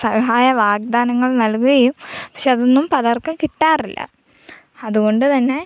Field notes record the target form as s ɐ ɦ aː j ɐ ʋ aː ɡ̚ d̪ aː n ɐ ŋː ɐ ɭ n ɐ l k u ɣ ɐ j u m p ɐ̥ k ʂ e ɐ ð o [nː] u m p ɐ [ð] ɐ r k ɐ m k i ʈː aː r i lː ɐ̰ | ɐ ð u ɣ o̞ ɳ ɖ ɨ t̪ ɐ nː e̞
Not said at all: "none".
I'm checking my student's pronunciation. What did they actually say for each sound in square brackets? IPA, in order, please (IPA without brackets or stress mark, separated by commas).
nː, ð